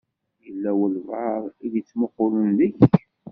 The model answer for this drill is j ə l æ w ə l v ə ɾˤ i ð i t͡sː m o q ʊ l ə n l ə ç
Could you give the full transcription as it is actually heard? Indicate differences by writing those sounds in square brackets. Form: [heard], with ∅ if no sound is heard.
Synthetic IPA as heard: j ə [lː] æ w ə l v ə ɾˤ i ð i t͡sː m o q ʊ l ə n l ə ç